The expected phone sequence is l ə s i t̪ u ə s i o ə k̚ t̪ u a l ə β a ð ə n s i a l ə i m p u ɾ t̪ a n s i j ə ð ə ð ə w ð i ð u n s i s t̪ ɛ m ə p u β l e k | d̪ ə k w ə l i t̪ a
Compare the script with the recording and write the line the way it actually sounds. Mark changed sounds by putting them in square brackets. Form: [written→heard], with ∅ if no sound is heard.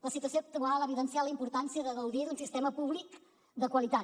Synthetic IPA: l ə s i t̪ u ə s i o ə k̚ t̪ u a l ə β [a→i] ð ə n s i a l ə i m p u ɾ t̪ a n s i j ə ð ə [ð→ɣ] ə w ð i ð u n s i s t̪ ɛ m ə p u β l [e→i] k | d̪ ə k w ə l i t̪ a